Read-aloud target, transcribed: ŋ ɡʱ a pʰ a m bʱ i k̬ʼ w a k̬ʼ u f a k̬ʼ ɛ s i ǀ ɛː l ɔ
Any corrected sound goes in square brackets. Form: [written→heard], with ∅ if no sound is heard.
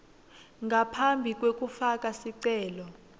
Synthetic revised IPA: ŋ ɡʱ a pʰ a m bʱ i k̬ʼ w [a→e] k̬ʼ u f a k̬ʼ [ɛ→a] s i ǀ ɛː l ɔ